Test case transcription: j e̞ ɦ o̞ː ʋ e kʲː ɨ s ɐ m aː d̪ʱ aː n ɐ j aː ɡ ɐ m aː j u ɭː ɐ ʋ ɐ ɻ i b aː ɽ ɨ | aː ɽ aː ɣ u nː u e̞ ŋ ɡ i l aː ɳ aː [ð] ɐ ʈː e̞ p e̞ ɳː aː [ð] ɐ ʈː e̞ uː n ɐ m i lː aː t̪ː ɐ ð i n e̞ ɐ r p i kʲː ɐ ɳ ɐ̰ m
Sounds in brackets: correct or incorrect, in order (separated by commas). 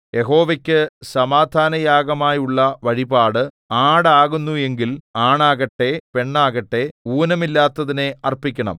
incorrect, incorrect